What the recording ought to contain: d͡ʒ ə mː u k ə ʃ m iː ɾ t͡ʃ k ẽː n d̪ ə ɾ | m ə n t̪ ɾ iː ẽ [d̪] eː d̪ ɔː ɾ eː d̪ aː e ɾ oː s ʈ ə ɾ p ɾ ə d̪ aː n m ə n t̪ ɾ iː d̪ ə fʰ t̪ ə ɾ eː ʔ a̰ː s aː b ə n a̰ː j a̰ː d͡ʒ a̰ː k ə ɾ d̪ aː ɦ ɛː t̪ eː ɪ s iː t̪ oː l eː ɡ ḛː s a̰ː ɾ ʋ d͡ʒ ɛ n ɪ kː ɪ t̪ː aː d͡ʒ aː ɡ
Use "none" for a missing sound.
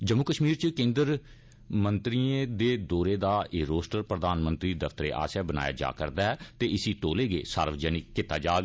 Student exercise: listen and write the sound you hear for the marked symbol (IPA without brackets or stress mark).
d̪